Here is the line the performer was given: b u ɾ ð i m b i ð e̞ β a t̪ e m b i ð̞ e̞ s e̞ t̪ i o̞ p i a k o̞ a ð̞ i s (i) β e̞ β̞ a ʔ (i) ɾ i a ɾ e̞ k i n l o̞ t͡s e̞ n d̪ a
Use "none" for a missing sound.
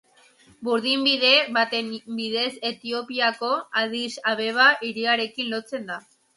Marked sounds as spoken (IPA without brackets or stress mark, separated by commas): a, i